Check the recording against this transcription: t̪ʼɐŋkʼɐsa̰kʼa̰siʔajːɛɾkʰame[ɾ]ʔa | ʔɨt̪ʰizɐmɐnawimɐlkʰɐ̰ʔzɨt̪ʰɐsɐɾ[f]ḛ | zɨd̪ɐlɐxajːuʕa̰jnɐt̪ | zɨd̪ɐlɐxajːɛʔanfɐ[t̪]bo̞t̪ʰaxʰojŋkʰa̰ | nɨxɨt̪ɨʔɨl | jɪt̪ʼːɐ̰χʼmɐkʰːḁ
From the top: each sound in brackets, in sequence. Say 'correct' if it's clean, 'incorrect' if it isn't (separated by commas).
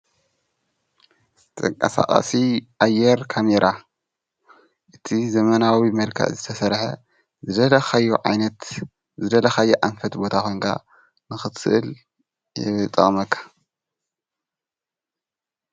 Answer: correct, incorrect, correct